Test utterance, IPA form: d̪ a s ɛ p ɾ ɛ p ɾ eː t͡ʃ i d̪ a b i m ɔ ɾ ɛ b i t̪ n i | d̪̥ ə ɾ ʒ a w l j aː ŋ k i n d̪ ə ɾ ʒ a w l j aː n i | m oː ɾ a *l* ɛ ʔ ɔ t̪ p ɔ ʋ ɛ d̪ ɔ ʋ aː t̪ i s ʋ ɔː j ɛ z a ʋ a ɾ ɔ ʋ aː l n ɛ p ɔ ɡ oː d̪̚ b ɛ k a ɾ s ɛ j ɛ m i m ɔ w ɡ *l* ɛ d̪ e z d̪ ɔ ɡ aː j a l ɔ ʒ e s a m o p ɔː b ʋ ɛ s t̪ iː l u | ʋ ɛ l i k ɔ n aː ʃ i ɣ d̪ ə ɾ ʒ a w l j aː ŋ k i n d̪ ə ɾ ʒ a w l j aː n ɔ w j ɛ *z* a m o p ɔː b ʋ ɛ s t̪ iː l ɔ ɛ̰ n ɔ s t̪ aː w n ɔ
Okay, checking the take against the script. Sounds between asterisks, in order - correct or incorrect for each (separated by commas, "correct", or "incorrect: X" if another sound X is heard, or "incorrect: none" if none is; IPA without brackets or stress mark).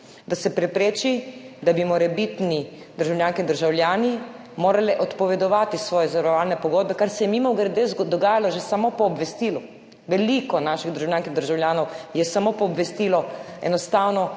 correct, incorrect: ɾ, incorrect: s